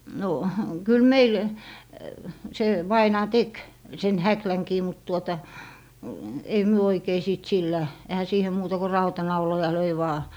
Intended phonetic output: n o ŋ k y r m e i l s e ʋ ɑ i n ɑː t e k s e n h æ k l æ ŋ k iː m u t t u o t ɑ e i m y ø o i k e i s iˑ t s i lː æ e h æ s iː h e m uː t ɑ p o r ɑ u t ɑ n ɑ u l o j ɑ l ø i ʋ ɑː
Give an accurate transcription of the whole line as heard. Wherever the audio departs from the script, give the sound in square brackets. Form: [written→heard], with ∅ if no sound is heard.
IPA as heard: n o [ŋ→∅] k y [r→l] m e i l s e ʋ ɑ i n ɑː t e k s e n h æ k l æ ŋ k iː m u t t u o t ɑ e i m y ø o i k e i s iˑ t s i lː æ e h æ s iː h e m uː t ɑ [p→k] o r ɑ u t ɑ n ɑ u l o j ɑ l ø i ʋ ɑː